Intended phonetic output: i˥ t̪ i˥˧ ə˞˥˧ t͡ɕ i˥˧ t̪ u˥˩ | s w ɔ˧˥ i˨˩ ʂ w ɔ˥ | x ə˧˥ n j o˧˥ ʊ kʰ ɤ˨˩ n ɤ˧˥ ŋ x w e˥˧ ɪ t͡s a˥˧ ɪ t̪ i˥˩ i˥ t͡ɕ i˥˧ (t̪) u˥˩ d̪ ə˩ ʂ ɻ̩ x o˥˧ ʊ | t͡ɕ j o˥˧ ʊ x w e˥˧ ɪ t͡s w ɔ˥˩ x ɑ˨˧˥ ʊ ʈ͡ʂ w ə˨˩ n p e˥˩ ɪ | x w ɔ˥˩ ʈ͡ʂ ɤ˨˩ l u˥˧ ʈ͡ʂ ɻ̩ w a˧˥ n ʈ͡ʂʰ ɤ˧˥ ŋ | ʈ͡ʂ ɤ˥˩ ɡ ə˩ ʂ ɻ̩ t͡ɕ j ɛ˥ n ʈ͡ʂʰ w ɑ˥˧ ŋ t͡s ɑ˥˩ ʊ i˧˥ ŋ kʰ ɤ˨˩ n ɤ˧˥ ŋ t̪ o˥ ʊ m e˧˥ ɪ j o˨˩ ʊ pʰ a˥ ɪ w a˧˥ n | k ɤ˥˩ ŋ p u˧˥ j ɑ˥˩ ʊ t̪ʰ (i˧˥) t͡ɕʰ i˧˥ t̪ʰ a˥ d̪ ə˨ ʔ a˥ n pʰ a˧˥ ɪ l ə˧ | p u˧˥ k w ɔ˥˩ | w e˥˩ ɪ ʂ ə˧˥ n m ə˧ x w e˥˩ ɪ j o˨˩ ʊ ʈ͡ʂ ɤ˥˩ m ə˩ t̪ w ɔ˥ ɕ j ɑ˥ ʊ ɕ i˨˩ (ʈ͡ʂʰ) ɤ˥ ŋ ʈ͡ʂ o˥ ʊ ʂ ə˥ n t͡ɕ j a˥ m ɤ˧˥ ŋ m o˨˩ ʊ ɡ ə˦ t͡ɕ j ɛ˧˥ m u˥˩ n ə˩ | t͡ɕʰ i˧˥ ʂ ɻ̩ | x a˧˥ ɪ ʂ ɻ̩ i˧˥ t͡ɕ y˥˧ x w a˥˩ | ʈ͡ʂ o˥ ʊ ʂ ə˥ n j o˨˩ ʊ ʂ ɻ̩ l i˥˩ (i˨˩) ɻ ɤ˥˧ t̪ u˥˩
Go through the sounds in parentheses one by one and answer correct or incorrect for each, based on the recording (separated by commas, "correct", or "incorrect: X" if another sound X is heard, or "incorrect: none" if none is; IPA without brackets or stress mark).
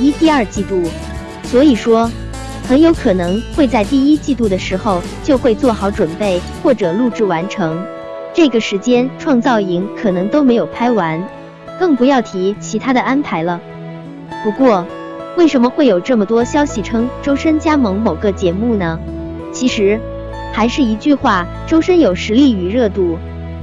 correct, correct, correct, incorrect: y˨˩